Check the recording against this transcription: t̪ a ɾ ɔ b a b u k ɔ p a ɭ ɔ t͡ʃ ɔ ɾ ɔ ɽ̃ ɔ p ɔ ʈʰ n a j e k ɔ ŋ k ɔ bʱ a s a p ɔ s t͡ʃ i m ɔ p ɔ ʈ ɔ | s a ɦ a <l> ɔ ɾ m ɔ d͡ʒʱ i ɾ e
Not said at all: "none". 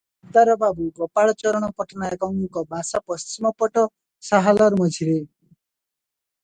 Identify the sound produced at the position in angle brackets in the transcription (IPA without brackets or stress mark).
l